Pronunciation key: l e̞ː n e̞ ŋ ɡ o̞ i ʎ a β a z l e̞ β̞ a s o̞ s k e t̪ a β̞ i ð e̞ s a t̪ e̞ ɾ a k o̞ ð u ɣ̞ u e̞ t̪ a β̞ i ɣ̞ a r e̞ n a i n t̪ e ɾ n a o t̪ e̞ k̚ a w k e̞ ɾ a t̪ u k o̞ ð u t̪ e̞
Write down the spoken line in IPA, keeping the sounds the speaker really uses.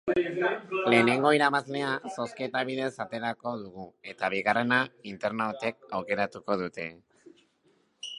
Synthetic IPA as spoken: l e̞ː n e̞ ŋ ɡ o̞ i ɾ a β a z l e̞ a s o̞ s k e t̪ a β̞ i ð e̞ s a t̪ e̞ ɾ a k o̞ ð u ɣ̞ u e̞ t̪ a β̞ i ɣ̞ a r e̞ n a i n t̪ e ɾ n a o t̪ e̞ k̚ a w k e̞ ɾ a t̪ u k o̞ ð u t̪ e̞